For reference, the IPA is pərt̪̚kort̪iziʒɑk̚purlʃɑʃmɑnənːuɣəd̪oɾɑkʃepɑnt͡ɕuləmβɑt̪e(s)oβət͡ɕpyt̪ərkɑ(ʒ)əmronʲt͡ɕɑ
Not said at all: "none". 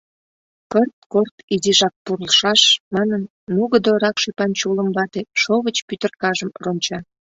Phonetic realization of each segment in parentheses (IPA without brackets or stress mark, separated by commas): ʃ, ʒ